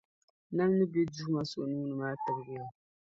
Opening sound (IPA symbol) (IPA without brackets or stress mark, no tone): n